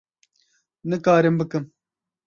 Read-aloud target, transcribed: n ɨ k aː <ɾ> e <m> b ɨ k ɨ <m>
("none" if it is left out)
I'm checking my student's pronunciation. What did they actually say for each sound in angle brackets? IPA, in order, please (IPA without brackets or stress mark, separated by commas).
ɾ, m, m